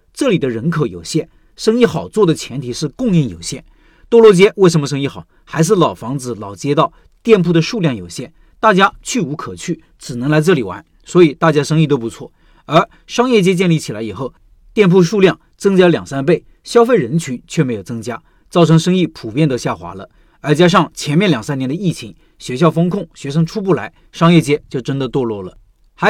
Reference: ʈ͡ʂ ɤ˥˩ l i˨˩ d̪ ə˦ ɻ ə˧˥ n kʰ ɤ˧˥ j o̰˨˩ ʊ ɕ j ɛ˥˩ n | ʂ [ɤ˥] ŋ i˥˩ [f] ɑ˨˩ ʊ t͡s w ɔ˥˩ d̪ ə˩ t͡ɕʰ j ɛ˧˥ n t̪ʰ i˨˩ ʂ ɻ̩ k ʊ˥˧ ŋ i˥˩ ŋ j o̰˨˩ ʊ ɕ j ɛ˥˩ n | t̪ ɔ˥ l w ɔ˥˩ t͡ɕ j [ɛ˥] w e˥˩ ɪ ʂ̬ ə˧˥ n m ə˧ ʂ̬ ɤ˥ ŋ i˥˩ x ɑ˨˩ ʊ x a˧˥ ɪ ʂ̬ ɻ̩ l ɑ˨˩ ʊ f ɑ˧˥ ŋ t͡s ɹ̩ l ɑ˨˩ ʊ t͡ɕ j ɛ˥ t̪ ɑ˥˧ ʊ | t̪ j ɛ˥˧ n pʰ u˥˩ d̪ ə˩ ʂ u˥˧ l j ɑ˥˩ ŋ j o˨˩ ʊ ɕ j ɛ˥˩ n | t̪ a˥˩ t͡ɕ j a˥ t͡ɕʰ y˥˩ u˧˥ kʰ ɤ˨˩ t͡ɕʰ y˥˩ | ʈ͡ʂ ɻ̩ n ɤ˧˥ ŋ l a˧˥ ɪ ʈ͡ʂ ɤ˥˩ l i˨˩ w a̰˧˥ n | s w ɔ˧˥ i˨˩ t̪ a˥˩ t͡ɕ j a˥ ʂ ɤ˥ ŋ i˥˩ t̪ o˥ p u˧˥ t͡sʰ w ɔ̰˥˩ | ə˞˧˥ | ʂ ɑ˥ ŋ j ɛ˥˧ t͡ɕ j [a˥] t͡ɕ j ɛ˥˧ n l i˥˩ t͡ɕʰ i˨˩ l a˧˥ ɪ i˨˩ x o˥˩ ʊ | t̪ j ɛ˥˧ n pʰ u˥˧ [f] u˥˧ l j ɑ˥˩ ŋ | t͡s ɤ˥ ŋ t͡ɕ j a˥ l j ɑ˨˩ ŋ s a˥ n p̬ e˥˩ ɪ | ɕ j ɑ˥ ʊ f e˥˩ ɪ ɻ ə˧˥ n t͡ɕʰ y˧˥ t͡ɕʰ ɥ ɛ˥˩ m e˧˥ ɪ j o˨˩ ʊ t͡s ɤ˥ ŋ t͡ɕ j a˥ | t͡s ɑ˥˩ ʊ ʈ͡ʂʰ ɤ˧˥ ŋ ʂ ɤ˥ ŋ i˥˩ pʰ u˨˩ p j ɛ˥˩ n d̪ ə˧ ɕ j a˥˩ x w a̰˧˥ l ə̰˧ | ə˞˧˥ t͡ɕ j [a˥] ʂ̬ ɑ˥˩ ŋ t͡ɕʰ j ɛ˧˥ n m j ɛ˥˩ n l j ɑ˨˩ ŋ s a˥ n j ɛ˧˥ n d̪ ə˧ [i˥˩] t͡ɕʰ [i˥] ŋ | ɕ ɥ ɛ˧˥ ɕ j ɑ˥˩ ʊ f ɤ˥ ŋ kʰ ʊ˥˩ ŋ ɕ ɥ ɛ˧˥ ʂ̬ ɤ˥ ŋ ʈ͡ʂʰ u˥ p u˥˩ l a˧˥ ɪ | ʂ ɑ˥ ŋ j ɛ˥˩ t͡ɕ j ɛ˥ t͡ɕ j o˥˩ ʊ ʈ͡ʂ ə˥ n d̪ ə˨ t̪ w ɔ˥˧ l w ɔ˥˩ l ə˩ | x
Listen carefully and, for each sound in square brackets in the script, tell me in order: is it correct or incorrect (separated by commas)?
correct, incorrect, correct, incorrect, incorrect, correct, correct, incorrect